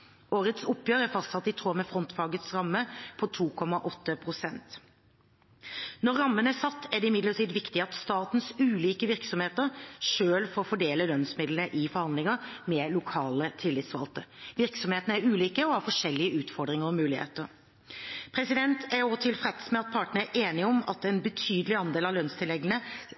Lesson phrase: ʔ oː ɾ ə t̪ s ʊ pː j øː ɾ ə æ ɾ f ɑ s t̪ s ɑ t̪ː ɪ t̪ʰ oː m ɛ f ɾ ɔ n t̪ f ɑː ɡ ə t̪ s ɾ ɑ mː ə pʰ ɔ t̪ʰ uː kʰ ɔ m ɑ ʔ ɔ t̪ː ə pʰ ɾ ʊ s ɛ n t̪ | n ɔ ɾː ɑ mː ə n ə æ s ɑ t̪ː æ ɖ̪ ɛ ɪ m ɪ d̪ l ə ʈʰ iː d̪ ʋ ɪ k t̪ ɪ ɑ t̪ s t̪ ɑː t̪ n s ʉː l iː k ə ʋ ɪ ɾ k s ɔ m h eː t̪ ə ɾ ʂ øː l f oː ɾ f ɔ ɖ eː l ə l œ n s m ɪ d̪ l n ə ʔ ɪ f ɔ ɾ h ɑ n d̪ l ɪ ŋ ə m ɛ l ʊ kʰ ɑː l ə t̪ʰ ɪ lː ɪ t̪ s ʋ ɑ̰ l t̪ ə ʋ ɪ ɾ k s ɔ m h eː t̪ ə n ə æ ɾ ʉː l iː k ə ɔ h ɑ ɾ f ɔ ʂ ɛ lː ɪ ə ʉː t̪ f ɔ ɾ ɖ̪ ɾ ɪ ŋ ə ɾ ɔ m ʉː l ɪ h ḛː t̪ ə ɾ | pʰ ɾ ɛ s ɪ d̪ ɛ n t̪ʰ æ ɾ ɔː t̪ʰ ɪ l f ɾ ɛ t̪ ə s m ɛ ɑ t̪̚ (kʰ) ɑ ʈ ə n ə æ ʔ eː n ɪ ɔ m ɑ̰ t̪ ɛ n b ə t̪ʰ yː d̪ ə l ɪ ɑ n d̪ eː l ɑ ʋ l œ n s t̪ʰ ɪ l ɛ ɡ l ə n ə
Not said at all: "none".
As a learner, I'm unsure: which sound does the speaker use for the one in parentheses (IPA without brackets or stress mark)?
pʰ